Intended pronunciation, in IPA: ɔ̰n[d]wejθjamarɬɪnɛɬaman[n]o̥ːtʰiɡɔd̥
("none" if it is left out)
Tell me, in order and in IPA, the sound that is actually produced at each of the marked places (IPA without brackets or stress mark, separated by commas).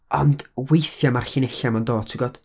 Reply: d, d